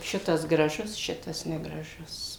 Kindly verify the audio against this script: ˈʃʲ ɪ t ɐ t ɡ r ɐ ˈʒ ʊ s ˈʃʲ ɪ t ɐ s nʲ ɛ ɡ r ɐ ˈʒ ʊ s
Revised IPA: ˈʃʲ ɪ t ɐ s ɡ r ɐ ˈʒ ʊ s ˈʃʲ ɪ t ɐ s nʲ ɛ ɡ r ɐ ˈʒ ʊ s